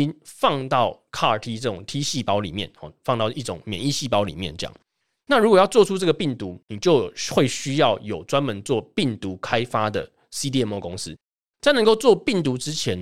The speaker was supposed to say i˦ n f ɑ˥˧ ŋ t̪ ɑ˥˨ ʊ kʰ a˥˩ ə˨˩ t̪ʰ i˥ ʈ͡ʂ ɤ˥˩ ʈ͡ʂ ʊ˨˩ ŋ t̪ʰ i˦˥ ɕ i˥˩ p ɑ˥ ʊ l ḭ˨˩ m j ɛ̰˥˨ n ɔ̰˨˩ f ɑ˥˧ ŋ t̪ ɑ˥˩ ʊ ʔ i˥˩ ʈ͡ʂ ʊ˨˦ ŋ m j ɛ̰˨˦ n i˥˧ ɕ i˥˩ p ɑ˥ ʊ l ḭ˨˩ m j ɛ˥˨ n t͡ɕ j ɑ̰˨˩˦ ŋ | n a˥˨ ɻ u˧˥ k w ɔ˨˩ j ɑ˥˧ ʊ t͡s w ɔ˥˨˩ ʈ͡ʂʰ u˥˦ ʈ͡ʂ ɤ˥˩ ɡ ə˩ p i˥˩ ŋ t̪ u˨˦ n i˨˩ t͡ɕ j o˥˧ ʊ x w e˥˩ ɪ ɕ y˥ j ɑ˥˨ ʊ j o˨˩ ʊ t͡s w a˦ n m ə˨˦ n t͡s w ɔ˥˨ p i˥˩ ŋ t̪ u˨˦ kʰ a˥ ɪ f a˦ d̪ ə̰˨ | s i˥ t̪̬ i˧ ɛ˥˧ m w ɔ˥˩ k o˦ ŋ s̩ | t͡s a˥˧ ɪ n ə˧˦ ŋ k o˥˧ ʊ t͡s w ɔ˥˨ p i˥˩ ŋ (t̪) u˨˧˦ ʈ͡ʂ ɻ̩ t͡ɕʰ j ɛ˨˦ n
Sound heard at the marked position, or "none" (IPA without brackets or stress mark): t̪